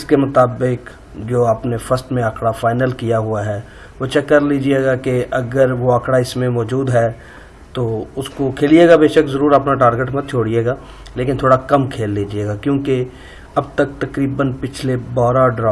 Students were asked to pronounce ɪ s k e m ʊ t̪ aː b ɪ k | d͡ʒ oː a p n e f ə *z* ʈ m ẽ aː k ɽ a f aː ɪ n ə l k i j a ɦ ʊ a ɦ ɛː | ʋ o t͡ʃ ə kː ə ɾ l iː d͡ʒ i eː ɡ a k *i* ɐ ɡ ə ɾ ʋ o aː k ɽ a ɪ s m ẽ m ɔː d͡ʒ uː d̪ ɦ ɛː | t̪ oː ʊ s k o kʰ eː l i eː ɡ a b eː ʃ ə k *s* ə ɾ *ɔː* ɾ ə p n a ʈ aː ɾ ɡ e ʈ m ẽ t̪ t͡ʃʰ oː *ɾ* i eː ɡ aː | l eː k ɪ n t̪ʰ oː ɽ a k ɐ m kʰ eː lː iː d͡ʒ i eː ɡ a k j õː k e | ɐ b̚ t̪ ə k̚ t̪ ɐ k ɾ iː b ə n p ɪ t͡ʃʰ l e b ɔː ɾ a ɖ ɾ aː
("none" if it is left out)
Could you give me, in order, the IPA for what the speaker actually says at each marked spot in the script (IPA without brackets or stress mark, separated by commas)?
s, e, z, uː, ɽ